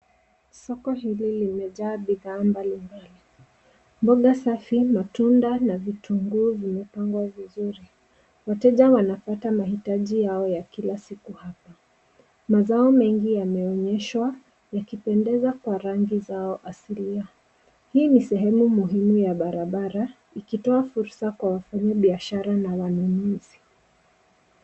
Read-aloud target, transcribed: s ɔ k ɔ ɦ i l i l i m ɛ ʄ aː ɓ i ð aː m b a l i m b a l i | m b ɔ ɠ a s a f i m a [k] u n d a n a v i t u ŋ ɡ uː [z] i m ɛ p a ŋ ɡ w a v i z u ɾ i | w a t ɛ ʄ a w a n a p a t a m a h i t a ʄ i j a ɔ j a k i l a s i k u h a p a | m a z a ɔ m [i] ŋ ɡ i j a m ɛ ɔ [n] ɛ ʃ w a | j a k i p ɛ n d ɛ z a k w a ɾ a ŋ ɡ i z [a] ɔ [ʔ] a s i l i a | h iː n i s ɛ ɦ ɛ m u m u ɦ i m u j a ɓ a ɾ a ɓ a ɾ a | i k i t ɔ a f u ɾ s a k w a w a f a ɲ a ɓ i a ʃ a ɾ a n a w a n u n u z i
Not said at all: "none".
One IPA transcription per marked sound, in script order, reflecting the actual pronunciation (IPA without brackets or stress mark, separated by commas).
t, v, ɛ, ɲ, a, ʔ